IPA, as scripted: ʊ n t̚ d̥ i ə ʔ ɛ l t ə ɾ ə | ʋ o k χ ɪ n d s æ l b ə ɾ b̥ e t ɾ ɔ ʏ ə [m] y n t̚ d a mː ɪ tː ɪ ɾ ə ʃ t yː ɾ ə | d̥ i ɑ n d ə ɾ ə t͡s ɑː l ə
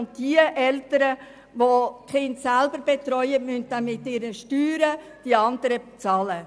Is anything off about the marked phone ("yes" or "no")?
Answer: no